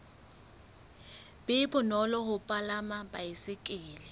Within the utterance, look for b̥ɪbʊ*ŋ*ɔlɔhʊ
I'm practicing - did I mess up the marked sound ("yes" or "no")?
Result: yes